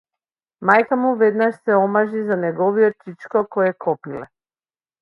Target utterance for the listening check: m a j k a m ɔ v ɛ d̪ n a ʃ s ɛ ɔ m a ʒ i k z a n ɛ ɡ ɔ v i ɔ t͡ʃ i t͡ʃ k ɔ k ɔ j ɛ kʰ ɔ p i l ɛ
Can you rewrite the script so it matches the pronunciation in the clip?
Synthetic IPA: m a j k a m u v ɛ d̪ n a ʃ s ɛ ɔ m a ʒ i z a n ɛ ɡ ɔ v i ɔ t͡ʃ i t͡ʃ k ɔ k ɔ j ɛ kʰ ɔ p i l ɛ